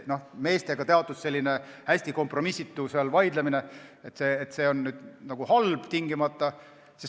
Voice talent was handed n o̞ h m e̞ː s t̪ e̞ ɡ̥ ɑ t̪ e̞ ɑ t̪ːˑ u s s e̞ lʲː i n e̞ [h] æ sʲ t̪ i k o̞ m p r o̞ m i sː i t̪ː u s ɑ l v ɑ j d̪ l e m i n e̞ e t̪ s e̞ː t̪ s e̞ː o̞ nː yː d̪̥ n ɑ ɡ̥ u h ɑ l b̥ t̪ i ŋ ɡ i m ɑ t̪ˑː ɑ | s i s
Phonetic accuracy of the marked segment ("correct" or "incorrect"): correct